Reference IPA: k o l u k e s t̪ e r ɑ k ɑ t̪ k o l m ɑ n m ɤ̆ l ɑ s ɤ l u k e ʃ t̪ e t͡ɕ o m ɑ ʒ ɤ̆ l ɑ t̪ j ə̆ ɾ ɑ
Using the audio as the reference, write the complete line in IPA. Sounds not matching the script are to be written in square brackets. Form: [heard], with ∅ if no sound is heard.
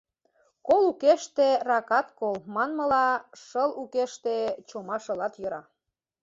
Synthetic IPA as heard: k o l u k e [ʃ] t̪ e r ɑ k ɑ t̪ k o l m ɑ n m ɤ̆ l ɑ [ʃ] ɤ l u k e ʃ t̪ e t͡ɕ o m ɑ [ʃ] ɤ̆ l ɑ t̪ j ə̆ ɾ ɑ